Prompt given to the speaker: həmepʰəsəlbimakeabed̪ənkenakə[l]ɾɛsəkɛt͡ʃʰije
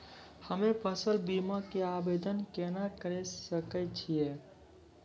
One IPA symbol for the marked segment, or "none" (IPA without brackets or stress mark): none